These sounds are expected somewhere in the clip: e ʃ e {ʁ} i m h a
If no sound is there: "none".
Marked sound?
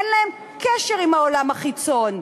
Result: ʁ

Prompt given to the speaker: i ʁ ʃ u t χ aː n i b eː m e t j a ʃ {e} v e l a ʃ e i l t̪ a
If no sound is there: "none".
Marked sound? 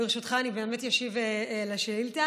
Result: i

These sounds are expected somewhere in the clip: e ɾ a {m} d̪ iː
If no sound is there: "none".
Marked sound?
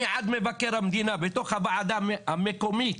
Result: m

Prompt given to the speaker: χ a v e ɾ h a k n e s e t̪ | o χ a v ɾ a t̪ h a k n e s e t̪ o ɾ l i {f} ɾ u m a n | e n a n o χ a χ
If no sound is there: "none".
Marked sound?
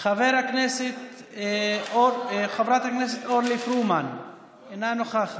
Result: f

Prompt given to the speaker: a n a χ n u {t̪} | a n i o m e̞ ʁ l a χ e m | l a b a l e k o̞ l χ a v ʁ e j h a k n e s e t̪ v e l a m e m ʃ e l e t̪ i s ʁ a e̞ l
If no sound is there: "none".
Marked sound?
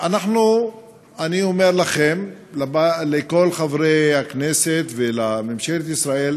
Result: none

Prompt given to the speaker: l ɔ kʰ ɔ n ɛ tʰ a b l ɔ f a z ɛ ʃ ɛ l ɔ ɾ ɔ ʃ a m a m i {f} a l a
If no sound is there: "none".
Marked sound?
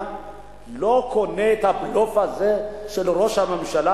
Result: ʃ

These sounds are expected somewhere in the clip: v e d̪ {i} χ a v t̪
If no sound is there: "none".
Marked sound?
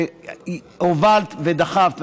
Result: a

